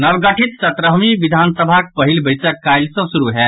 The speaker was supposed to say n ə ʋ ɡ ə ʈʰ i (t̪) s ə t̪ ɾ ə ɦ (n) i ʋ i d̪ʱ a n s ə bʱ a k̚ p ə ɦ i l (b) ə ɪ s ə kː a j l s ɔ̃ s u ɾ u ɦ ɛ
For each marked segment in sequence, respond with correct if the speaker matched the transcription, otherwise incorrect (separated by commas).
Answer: correct, incorrect, correct